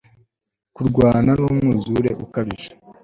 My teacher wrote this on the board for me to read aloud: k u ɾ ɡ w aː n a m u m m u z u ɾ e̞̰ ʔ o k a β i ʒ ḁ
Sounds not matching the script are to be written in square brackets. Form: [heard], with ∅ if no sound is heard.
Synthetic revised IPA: k u ɾ ɡ w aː n a [n] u m [ŋ] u z u ɾ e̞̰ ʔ [u] k a β i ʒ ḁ